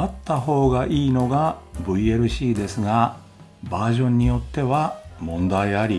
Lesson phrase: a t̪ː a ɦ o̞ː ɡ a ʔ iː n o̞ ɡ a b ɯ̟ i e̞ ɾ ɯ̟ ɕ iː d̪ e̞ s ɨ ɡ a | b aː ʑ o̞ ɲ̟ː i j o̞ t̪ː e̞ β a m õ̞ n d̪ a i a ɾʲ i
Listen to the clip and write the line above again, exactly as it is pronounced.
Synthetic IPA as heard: a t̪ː a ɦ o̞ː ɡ a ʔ iː n o̞ ɡ a b ɯ̟ i e̞ ɾ ɯ̟ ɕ iː d̪ e̞ s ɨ ɡ a | b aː ʑ õ̞ ɲ̟ː i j o̞ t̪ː e̞ β a m õ̞ n d̪ a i a ɾʲ i

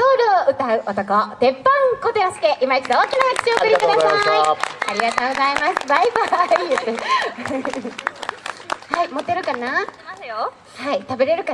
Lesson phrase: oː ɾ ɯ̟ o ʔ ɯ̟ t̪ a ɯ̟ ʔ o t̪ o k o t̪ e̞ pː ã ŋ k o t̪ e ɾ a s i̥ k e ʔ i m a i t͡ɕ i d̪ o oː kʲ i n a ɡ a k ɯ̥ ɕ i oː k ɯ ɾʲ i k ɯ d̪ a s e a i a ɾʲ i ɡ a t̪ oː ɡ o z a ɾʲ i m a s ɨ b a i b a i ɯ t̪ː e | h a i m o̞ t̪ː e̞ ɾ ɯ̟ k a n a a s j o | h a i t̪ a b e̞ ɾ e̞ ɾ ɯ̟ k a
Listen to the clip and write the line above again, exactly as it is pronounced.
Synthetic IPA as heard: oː ɾ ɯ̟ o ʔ ɯ̟ t̪ a ɯ̟ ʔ o t̪ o k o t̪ e̞ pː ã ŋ k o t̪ e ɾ a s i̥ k e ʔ i m a i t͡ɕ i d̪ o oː kʲ i n a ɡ a k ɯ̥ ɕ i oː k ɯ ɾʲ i k ɯ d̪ a s a a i a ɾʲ i ɡ a t̪ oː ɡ o z a i m a s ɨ b a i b a i ɯ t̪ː e | h a i m o̞ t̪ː e̞ ɾ ɯ̟ k a n a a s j o | h a i t̪ a b e̞ ɾ e̞ ɾ ɯ̟ k a

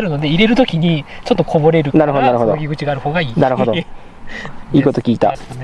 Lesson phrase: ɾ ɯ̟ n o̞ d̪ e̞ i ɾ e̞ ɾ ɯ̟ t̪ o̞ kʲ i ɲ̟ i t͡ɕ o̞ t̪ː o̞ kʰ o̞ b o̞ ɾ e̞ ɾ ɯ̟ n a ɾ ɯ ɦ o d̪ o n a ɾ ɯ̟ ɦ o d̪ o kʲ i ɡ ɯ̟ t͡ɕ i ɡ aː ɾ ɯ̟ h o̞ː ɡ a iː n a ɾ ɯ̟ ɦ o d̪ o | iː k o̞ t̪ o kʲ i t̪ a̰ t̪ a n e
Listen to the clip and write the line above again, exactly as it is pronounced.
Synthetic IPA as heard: ɾ ɯ̟ n o̞ d̪ e̞ i ɾ e̞ ɾ ɯ̟ t̪ o̞ kʲ i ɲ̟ i t͡ɕ o̞ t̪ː o̞ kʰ o̞ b o̞ ɾ e̞ ɾ ɯ̟ n a ɾ ɯ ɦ o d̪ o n a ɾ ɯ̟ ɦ o d̪ o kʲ i ɡ ɯ̟ t͡ɕ i ɡ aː ɾ ɯ̟ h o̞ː ɡ a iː n a ɾ ɯ̟ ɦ o d̪ o | iː k o̞ t̪ o kʲ iː t̪ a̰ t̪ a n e

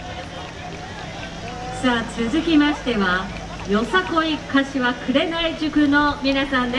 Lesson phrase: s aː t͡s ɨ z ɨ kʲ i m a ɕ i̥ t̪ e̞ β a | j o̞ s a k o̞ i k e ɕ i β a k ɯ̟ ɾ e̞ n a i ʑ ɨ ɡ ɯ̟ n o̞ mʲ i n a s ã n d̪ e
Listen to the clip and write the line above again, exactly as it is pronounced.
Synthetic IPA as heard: s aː t͡s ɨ z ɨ kʲ i m a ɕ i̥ t̪ e̞ β a | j o̞ s a k o̞ i k a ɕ i β a k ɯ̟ ɾ e̞ n a i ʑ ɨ k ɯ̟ n o̞ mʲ i n a s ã n d̪ e

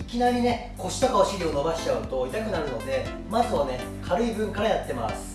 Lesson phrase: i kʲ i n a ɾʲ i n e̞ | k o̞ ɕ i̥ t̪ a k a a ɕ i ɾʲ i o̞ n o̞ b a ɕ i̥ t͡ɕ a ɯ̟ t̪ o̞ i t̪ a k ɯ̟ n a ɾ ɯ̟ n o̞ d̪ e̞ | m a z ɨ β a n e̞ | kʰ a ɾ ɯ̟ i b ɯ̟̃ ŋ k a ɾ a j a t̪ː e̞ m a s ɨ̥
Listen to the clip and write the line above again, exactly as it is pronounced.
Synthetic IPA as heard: i kʲ i n a ɾʲ i n e̞ | k o̞ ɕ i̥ t̪ a k a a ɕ i ɾʲ i o̞ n o̞ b a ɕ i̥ t͡ɕ a ɯ̟ t̪ o̞ i t̪ a k ɯ̟ n a ɾ ɯ̟ n o̞ d̪ e̞ | m a z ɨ β a n e̞ | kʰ a ɾ ɯ̟ i b ɯ̟̃ ŋ k a ɾ a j a t̪ː e̞ m a s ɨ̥

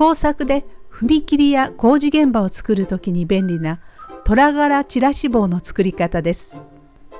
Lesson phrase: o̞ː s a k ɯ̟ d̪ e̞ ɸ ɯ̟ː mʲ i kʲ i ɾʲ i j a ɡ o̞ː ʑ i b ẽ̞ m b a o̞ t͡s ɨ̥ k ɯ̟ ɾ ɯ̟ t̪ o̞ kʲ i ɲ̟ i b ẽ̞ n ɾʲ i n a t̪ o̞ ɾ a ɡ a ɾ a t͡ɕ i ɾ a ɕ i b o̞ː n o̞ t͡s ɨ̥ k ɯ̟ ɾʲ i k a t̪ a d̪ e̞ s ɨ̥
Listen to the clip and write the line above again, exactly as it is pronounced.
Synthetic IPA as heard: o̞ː s a k ɯ̟ d̪ e̞ ɸ ɯ̟ mʲ i kʲ i ɾʲ i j a k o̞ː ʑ i ɡ ẽ̞ m b a o̞ t͡s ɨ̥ k ɯ̟ ɾ ɯ̟ t̪ o̞ kʲ i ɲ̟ i b ẽ̞ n ɾʲ i n a t̪ o̞ ɾ a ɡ a ɾ a t͡ɕ i ɾ a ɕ i b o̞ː n o̞ t͡s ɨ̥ k ɯ̟ ɾʲ i k a t̪ a d̪ e̞ s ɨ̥

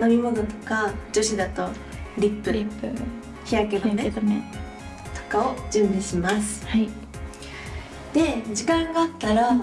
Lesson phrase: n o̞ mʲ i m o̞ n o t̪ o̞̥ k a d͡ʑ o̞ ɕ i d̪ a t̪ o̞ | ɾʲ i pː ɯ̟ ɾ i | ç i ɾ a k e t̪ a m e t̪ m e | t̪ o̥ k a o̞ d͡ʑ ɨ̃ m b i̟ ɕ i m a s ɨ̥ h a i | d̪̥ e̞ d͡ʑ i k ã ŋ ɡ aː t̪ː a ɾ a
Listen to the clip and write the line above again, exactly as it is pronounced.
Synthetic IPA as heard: n o̞ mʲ i m o̞ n o t̪ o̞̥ k a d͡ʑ o̞ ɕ i d̪ a t̪ o̞ | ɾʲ i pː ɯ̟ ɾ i | ç i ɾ a k e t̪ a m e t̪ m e | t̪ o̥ k a o̞ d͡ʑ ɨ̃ m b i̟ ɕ i m a s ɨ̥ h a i | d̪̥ e̞ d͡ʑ i k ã ŋ ɡ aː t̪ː a ɾ a

